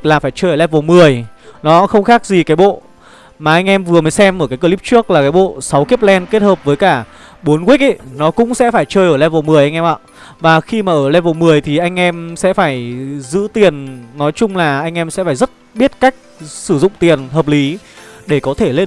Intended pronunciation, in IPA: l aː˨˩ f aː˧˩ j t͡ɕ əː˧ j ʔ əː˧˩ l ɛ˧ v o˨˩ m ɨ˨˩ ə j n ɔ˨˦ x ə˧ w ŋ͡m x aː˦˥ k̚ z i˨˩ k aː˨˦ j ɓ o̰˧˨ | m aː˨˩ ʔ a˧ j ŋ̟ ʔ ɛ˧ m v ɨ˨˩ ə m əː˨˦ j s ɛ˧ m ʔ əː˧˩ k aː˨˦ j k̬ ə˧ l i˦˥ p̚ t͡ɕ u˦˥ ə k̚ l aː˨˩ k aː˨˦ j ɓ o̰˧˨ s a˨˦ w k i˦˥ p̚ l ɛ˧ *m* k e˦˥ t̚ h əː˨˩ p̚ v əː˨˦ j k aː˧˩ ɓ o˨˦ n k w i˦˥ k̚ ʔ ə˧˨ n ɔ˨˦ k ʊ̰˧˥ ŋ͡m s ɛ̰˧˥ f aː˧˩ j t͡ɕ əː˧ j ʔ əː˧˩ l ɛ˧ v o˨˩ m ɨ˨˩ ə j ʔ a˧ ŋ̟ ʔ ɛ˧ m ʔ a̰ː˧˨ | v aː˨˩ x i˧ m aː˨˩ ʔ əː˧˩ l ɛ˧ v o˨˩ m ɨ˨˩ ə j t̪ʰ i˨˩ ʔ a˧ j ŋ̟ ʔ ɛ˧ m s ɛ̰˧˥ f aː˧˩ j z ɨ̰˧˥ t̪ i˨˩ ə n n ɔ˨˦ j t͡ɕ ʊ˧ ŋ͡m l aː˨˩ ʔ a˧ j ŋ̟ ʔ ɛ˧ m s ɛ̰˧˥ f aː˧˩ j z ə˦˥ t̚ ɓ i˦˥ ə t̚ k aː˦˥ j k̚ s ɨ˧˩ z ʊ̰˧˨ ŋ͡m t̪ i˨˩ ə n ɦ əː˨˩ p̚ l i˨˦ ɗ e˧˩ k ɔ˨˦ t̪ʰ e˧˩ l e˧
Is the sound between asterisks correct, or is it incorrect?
incorrect